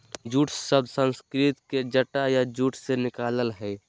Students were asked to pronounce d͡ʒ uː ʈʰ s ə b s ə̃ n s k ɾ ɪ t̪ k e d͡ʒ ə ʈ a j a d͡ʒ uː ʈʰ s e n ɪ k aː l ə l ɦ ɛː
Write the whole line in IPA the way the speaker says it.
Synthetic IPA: d͡ʒ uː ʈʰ s ə b s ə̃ n s k ɾ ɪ t̪ k e d͡ʒ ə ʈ a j a d͡ʒ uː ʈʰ s e n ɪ k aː l ə l ɦ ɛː